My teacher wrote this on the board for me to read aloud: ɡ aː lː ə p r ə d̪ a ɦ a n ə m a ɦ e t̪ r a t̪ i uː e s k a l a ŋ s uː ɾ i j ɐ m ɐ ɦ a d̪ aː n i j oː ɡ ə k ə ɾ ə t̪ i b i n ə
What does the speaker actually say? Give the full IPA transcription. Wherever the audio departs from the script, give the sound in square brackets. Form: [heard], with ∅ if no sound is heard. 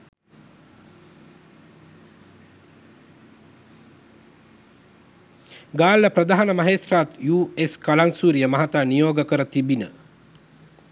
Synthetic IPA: ɡ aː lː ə p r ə d̪ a ɦ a n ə m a ɦ e t̪ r a t̪ [j] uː e s k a l a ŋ s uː ɾ i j [ə] m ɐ ɦ a [t̪] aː n i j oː ɡ ə k ə ɾ ə t̪ i b i n ə